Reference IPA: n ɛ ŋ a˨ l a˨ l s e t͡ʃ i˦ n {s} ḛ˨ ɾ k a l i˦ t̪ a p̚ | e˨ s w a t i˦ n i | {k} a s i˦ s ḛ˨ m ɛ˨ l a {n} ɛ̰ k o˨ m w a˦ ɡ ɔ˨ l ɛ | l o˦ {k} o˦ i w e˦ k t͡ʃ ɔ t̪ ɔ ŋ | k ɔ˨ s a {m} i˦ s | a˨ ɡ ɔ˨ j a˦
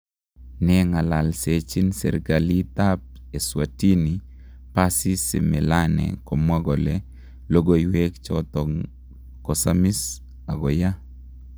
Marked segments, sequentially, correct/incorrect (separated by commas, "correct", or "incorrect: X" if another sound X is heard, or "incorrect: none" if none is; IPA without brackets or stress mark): correct, incorrect: p, correct, incorrect: ɡ, correct